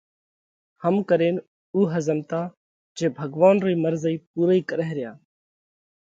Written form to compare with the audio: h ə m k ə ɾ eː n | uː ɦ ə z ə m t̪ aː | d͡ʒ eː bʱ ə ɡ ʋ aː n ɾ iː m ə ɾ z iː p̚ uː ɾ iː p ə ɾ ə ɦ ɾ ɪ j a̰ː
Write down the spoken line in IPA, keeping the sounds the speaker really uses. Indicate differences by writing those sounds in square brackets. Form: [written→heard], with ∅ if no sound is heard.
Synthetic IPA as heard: h ə m k ə ɾ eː n | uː ɦ ə z ə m t̪ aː | d͡ʒ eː bʱ ə ɡ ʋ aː n ɾ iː m ə ɾ z iː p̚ uː ɾ iː [p→k] ə ɾ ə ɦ ɾ ɪ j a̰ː